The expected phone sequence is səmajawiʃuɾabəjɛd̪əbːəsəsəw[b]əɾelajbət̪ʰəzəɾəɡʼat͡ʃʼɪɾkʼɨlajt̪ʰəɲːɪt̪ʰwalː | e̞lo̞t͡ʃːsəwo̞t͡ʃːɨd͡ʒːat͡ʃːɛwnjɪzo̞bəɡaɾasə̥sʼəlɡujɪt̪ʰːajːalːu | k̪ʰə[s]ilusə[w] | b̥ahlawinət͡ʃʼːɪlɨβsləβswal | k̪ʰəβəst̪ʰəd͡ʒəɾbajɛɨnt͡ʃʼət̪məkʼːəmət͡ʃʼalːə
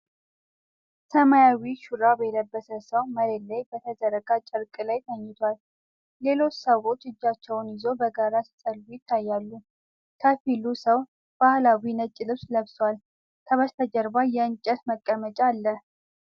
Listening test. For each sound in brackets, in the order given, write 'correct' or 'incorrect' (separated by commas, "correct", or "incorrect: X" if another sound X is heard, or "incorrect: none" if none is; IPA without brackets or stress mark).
incorrect: m, incorrect: f, correct